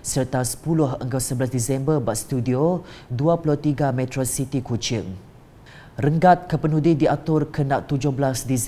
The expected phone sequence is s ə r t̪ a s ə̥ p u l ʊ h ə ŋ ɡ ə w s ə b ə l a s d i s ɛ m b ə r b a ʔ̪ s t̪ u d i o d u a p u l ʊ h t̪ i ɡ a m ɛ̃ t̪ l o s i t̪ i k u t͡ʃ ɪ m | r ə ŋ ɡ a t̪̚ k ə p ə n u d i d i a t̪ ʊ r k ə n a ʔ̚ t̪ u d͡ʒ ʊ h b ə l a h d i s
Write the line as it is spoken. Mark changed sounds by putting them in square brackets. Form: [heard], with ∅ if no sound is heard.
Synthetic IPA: s ə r t̪ a s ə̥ p u l ʊ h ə ŋ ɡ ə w s ə b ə l a s d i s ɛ m b ə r b a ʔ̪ s t̪ u d i o d u a p u l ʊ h t̪ i ɡ a m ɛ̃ t̪ [ɾ] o s i t̪ i k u t͡ʃ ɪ [ŋ] | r ə ŋ ɡ a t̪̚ k ə p ə n u d i d i a t̪ ʊ r k ə n a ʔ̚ t̪ u d͡ʒ ʊ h b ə l a [s] d i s